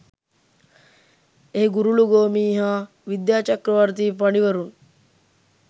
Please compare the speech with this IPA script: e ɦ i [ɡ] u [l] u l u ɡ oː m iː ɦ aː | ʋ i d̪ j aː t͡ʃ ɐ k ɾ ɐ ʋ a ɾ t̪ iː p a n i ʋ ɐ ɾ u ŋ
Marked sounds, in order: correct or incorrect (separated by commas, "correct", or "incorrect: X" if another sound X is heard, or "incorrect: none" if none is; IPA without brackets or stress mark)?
correct, incorrect: ɾ